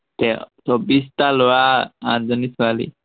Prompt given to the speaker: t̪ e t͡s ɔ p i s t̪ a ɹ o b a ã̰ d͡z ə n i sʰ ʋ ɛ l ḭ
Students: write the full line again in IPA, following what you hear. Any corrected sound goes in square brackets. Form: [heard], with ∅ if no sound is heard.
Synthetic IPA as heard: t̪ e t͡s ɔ [b] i s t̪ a [l] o [∅] a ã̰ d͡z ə n i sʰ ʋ [a] l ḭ